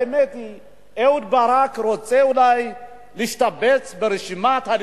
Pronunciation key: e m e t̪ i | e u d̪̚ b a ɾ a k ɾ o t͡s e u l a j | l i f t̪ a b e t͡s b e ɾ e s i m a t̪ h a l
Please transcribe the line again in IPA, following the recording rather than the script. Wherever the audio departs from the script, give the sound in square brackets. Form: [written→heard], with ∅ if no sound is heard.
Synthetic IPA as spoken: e m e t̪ i | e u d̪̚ b a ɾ a k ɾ o t͡s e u l a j | l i [f→ʃ] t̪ a b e t͡s b e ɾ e [s→ʃ] i m a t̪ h a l